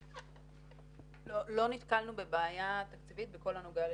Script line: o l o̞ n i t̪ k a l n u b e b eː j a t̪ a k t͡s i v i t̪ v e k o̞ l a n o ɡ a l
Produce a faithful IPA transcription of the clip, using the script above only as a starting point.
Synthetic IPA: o l o̞ n i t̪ k a l n u b e b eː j a t̪ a k t͡s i v i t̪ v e k o̞ l a n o ɡ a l